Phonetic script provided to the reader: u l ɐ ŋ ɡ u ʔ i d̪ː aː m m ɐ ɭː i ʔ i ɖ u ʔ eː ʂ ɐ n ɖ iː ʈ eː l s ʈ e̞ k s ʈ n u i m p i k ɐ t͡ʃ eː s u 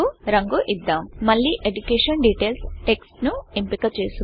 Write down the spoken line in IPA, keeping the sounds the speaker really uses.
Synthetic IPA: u ɾ ɐ ŋ ɡ u ʔ i d̪ː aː m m ɐ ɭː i ʔ e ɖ u k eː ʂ ɐ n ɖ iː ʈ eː l s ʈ e̞ k s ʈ n u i m p i k ɐ t͡ʃ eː s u

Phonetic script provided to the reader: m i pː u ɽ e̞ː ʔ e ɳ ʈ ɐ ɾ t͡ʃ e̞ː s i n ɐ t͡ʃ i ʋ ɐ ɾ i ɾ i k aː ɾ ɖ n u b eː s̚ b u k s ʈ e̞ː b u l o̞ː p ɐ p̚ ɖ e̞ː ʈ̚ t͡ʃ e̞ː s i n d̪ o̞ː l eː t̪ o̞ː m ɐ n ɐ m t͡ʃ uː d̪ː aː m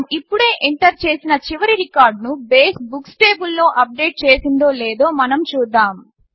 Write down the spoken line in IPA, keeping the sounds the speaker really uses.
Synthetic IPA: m i pː u ɽ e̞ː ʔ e ɳ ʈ ɐ ɾ t͡ʃ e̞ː s i n ɐ t͡ʃ i ʋ ɐ ɾ i ɾ i k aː ɾ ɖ n u b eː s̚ b u k s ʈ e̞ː b u lː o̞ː ʔ ɐ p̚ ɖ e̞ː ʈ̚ t͡ʃ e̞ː s i n d̪ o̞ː l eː d̪ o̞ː m ɐ n ɐ m t͡ʃ uː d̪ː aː m

